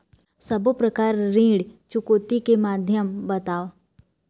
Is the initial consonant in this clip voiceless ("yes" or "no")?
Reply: yes